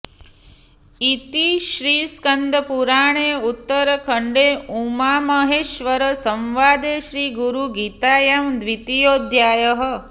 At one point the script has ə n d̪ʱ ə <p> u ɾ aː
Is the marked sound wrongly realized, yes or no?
no